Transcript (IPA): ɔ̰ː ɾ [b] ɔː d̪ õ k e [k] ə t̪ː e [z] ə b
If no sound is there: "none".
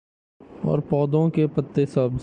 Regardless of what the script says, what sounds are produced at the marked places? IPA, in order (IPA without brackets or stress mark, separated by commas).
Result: p, p, s